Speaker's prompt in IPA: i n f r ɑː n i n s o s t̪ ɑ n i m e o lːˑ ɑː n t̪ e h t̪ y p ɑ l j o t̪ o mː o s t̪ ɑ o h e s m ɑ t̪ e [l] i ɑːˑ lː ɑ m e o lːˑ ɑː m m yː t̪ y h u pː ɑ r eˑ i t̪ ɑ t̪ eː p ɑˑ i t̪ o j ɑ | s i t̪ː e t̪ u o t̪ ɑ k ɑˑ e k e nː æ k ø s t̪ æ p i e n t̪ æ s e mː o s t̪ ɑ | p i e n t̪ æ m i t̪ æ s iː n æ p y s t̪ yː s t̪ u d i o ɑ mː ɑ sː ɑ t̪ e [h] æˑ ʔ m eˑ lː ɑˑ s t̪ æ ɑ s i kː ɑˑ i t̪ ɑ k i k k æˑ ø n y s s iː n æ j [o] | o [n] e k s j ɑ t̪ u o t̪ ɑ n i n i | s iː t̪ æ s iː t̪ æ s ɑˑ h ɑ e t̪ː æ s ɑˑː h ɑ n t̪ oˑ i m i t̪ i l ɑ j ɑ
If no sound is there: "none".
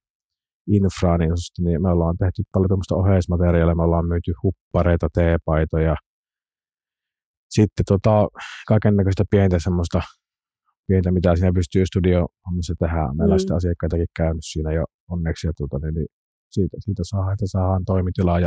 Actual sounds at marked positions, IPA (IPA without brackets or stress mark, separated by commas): r, h, o, nː